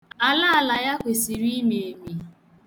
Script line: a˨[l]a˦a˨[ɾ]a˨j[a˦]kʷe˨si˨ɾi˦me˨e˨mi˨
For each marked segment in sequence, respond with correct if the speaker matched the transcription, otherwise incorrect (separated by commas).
correct, incorrect, correct